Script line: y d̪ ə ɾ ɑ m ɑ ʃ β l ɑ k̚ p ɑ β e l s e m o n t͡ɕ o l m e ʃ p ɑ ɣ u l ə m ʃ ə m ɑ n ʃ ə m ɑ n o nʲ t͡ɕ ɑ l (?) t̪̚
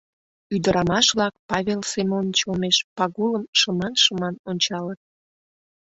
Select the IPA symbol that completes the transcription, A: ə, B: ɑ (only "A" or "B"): A